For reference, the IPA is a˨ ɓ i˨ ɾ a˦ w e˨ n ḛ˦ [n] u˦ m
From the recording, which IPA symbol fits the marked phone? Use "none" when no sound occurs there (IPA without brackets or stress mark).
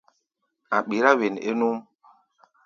n